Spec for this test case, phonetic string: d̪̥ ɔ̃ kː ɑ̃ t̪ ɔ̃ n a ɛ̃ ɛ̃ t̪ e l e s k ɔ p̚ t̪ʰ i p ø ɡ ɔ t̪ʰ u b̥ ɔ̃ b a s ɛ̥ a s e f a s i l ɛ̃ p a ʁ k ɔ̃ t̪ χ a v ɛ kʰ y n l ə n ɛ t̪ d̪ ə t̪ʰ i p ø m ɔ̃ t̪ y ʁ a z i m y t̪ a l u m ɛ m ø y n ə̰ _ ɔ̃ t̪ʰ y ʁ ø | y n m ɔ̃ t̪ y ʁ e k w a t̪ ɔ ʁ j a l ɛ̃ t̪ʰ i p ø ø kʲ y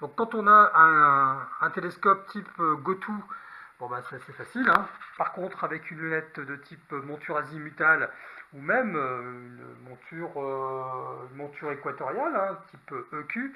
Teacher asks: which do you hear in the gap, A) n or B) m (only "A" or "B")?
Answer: B